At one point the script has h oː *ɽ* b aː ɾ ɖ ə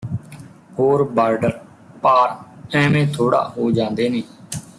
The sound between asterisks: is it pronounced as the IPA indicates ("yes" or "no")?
no